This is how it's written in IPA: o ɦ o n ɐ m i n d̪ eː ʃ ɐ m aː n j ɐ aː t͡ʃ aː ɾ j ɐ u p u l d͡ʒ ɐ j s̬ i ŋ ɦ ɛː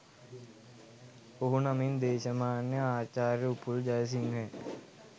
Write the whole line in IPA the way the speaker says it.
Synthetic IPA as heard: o ɦ u n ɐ m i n d̪ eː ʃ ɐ m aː n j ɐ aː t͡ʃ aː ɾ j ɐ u p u l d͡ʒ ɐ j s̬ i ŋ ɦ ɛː